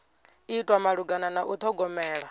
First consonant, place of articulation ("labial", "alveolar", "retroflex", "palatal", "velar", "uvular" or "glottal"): alveolar